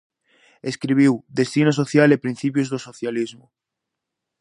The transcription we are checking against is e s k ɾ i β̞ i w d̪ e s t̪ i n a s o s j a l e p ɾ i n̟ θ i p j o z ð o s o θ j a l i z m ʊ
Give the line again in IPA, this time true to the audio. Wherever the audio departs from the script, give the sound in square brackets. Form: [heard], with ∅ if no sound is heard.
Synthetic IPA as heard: e s k ɾ i β̞ i w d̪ e s t̪ i n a s o [θ] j a l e p ɾ i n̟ θ i p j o z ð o s o θ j a l i z m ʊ